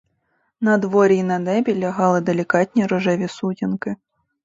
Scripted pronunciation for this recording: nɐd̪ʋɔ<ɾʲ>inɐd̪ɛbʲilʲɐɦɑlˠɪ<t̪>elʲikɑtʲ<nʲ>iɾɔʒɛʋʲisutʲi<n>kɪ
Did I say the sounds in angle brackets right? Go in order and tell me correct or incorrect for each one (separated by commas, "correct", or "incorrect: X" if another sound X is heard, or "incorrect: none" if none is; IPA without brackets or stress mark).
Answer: correct, incorrect: d̪, correct, correct